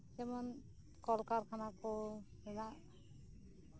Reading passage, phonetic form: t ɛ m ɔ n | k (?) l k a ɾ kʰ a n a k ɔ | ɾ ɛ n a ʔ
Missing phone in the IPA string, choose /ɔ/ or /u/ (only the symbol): ɔ